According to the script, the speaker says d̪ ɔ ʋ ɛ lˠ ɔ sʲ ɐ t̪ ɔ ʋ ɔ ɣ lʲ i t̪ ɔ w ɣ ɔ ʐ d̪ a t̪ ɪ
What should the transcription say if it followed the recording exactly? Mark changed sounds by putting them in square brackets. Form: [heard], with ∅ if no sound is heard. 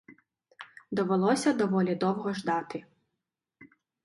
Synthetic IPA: d̪ ɔ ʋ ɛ lˠ ɔ sʲ ɐ [d̪] ɔ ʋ ɔ [∅] lʲ i [d̪] ɔ w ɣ ɔ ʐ d̪ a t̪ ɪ